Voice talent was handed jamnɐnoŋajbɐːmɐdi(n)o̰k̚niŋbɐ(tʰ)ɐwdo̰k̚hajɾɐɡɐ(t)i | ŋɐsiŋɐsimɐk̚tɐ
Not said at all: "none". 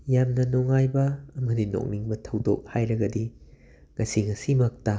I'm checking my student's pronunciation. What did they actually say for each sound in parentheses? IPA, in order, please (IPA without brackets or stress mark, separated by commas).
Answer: n, tʰ, d